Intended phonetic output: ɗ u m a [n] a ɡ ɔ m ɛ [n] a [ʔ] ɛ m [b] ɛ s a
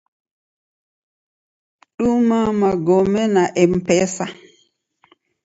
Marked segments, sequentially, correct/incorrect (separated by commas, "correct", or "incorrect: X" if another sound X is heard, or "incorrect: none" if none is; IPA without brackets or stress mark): incorrect: m, correct, correct, incorrect: p